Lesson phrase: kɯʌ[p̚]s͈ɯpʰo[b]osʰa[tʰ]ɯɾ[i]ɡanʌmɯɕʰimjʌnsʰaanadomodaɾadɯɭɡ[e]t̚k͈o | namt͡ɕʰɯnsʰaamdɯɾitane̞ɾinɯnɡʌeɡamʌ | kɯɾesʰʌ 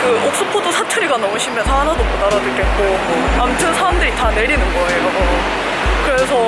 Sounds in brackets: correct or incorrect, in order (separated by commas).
incorrect, incorrect, correct, correct, correct